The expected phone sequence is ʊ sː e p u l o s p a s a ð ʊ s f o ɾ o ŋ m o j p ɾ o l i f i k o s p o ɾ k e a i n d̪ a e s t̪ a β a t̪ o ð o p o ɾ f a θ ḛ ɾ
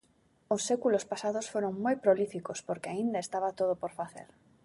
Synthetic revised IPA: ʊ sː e k u l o s p a s a ð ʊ s f o ɾ o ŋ m o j p ɾ o l i f i k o s p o ɾ k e a i n d̪ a e s t̪ a β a t̪ o ð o p o ɾ f a θ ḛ ɾ